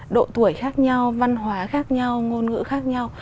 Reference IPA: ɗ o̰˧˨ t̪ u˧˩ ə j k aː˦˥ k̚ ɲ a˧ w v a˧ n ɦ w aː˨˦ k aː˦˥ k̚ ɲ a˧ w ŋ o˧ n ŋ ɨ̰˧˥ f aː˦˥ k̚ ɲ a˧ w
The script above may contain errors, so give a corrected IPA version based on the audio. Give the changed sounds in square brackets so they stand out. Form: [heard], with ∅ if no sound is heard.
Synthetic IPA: ɗ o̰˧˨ t̪ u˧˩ ə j [x] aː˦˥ k̚ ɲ a˧ w v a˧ n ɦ w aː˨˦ [x] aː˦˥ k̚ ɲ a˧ w ŋ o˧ n ŋ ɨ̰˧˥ [x] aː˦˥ k̚ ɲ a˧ w